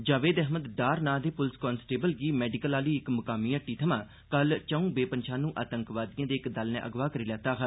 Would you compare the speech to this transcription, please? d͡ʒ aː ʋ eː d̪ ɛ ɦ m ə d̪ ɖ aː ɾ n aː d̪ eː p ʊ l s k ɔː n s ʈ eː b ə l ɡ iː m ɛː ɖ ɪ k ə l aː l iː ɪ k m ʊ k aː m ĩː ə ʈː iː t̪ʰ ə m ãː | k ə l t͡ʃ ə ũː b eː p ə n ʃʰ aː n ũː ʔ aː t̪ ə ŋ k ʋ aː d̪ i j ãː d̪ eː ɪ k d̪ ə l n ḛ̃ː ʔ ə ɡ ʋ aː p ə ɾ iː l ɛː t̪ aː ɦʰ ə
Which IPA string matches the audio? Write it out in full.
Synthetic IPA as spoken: d͡ʒ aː ʋ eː d̪ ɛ ɦ m ə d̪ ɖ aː ɾ n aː d̪ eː p ʊ l s k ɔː n s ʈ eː b ə l ɡ iː m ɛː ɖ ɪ k ə l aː l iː ɪ k m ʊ k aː m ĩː ə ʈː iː t̪ʰ ə m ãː | k ə l t͡ʃ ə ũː b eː p ə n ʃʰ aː n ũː ʔ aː t̪ ə ŋ k ʋ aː d̪ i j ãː d̪ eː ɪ k d̪ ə l n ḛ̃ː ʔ ə ɡ ʋ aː k ə ɾ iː l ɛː t̪ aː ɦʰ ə